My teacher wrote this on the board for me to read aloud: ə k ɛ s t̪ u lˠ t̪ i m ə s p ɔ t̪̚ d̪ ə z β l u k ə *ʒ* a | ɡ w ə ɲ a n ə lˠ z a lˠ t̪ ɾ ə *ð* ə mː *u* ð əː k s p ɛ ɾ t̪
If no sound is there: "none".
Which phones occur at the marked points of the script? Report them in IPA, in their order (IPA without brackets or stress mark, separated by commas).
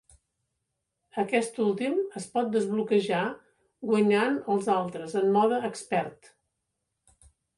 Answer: ʒ, z, ɔ